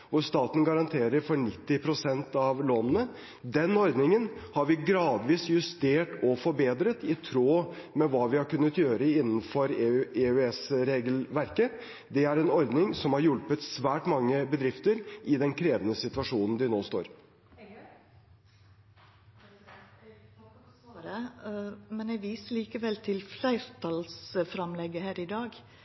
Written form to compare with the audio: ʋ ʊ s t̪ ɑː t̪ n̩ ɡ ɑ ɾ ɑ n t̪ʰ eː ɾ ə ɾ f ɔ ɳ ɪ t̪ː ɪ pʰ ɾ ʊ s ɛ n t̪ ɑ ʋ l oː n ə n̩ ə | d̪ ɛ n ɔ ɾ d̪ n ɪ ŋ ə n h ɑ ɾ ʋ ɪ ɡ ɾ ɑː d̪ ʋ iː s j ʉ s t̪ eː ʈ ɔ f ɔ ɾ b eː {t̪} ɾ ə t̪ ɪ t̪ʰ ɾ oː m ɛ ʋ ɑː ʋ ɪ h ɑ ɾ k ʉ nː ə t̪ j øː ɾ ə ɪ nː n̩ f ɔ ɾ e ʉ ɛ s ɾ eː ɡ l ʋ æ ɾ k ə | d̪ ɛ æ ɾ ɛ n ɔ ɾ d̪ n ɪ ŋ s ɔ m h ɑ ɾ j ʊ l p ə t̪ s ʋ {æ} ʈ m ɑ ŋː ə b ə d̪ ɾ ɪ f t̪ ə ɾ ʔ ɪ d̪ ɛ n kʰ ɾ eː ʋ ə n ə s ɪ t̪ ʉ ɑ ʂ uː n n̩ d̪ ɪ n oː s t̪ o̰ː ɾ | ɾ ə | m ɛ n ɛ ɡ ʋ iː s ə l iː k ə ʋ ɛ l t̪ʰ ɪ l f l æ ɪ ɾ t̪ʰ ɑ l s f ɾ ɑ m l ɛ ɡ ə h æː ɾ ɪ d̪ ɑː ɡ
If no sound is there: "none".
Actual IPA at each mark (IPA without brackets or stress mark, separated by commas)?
d̪, æː